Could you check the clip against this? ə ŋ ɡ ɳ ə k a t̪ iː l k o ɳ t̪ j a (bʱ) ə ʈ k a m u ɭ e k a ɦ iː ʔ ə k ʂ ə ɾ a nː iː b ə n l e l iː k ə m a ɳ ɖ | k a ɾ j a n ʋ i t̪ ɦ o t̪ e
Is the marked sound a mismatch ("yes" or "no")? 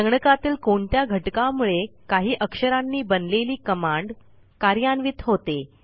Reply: yes